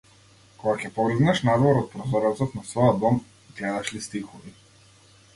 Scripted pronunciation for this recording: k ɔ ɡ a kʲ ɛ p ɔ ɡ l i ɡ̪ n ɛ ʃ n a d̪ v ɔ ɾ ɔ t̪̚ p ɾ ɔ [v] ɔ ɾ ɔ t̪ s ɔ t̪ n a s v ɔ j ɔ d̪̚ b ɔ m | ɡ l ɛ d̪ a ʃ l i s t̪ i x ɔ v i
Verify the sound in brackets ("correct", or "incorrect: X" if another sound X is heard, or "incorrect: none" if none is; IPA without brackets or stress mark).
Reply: incorrect: z